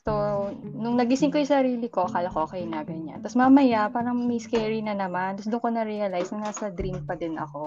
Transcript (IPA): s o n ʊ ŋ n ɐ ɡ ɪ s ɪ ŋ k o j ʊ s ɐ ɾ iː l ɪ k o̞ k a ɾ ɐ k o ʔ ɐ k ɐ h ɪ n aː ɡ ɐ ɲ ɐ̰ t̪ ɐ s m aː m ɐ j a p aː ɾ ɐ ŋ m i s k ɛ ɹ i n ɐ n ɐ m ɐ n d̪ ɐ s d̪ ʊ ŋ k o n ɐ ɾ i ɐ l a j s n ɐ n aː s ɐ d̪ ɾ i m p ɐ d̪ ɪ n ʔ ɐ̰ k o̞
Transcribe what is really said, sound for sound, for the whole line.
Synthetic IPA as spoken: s o n ʊ ŋ n ɐ ɡ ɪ s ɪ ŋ k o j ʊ s ɐ ɾ iː l ɪ k o̞ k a l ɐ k o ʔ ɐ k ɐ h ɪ n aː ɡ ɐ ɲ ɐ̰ t̪ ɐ s m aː m ɐ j a p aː ɾ ɐ ŋ m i s k ɛ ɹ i n ɐ n ɐ m a n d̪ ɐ s d̪ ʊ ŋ k o n ɐ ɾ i ɐ l a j s n ɐ n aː s ɐ d̪ ɾ i m p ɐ d̪ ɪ n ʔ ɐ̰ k o̞